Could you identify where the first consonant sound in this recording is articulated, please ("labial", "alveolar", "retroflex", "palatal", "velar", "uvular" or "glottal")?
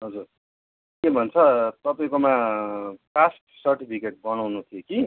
glottal